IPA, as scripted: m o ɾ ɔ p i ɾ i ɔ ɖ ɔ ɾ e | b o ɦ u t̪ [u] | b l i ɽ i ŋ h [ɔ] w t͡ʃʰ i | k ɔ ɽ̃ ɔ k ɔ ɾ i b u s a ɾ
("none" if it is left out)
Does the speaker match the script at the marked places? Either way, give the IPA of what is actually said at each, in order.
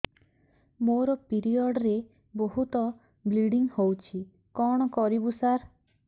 ɔ, o

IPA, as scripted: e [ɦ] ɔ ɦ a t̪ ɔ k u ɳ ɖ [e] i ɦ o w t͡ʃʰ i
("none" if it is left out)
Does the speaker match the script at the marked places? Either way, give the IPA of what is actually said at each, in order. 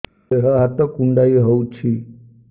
ɦ, a

